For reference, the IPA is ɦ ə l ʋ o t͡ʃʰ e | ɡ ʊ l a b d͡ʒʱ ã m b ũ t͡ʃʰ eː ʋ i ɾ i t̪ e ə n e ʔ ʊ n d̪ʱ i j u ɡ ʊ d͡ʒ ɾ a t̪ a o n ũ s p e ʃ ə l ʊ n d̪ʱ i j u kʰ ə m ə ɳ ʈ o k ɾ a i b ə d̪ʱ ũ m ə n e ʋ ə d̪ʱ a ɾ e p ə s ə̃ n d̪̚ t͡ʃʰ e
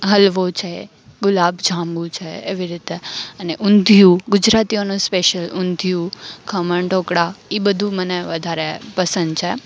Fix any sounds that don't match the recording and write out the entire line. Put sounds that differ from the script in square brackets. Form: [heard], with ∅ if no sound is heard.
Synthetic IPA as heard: ɦ ə l ʋ o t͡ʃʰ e | ɡ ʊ l a b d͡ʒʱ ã m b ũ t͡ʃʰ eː ʋ i ɾ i t̪ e ə n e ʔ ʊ n d̪ʱ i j u ɡ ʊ d͡ʒ ɾ a t̪ [i] o n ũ s p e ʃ ə l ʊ n d̪ʱ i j u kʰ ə m ə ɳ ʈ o k [ɽ] a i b ə d̪ʱ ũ m ə n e ʋ ə d̪ʱ a ɾ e p ə s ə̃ n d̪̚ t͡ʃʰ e